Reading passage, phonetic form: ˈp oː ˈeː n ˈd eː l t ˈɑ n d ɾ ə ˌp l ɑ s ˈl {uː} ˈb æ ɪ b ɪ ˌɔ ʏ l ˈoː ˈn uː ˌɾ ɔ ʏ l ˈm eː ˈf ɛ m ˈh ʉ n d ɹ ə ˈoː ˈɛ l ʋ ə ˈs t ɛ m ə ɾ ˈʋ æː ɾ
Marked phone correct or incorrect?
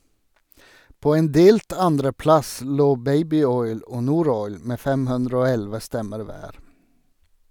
incorrect